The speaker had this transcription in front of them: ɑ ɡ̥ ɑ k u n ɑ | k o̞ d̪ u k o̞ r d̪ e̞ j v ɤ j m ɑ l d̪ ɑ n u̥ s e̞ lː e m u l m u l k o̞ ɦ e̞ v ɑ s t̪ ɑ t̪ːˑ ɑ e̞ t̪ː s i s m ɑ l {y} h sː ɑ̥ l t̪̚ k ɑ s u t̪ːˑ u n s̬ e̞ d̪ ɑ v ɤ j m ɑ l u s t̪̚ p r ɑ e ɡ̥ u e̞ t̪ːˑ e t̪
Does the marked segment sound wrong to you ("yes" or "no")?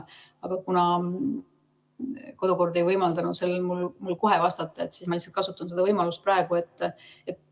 yes